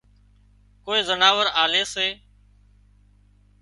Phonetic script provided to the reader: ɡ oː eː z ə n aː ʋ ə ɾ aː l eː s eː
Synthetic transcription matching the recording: k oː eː z ə n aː ʋ ə ɾ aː l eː s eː

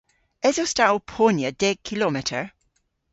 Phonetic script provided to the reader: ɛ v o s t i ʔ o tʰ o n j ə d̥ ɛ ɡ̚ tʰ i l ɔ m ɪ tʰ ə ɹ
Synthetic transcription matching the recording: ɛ z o s t a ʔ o pʰ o n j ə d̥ ɛ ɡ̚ kʰ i l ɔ m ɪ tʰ ə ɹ

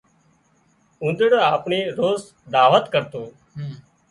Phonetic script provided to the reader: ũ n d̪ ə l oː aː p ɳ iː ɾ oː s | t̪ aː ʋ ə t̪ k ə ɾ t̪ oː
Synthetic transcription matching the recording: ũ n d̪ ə ɽ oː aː p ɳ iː ɾ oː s | d̪ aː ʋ ə t̪ k ə ɾ t̪ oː

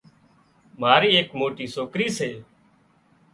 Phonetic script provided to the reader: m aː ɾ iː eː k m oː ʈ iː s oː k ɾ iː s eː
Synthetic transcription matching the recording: m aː ɾ iː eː k m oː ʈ iː s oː k ɾ iː s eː

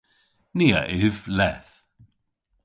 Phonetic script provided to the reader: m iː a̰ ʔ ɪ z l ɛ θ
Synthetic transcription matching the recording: n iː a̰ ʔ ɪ v l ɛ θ

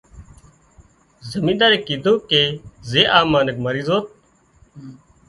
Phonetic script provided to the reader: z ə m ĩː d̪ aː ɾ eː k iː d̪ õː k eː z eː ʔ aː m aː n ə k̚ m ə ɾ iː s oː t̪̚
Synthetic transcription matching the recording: z ə m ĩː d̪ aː ɾ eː k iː d̪ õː k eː z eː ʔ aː m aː n ə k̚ m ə ɾ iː z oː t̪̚

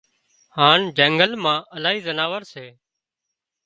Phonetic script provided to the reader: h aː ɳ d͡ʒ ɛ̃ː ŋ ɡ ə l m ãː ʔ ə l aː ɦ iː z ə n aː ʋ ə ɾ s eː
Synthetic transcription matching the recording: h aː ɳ d͡ʒ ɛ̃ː ŋ ɡ ə l m ãː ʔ ə l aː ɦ iː z ə n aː ʋ ə ɾ s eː

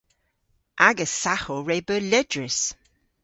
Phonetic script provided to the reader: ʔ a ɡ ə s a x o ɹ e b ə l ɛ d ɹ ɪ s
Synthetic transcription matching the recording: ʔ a ɡ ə s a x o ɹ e b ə l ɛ d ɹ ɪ s

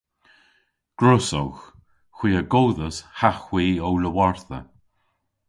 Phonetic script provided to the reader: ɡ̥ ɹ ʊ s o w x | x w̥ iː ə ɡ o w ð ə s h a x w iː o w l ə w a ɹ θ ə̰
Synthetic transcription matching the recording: ɡ̥ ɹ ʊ s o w x | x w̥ iː ə ɡ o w ð ə s h a x w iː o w l ə w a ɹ θ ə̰

